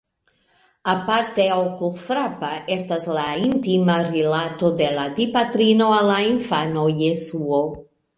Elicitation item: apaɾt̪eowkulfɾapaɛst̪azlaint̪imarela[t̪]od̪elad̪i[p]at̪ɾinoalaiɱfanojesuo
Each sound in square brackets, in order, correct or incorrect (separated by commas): correct, correct